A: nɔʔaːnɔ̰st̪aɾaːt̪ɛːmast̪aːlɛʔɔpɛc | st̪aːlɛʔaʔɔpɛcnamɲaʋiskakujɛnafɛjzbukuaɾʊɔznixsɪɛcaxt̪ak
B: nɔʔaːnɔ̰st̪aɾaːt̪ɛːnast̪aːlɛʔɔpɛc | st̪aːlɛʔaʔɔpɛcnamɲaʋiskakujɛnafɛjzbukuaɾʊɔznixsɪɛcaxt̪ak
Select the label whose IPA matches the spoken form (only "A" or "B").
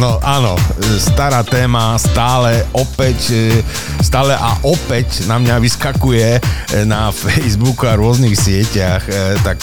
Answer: A